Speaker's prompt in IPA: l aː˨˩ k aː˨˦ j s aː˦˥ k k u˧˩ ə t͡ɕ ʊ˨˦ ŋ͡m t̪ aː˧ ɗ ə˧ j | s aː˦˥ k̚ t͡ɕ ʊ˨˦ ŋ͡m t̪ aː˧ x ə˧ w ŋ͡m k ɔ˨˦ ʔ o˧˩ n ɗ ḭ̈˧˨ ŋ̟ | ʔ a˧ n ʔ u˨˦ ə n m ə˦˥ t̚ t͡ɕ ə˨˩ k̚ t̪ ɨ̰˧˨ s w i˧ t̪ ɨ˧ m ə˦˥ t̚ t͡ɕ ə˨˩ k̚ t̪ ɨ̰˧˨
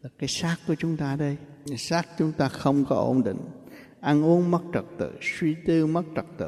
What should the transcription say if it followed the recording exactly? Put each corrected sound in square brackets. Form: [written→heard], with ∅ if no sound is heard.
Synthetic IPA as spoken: l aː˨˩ k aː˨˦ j s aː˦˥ k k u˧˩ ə t͡ɕ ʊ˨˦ ŋ͡m t̪ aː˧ ɗ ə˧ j | s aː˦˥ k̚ t͡ɕ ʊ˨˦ ŋ͡m t̪ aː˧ x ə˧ w ŋ͡m k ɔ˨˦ ʔ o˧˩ n ɗ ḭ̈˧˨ ŋ̟ | ʔ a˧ n ʔ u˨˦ ə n m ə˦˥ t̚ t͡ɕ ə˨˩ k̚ t̪ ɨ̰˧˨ s w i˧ t̪ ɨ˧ m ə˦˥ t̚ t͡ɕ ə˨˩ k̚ t̪ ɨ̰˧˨